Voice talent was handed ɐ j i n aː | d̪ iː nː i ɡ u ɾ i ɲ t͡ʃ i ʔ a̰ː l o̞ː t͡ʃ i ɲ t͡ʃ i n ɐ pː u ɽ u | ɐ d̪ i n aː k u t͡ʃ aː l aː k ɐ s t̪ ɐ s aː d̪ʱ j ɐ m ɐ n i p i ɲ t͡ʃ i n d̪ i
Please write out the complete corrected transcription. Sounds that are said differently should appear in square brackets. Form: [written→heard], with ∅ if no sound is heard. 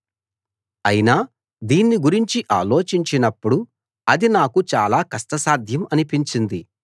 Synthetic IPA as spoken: ɐ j i n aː | d̪ iː nː i ɡ u ɾ i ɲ t͡ʃ i ʔ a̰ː l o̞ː t͡ʃ i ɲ t͡ʃ i n ɐ pː u ɽ u | ɐ d̪ i n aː k u t͡ʃ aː l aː k ɐ s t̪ ɐ s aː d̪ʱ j ɐ m ɐ n i p i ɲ t͡ʃ i n d̪ i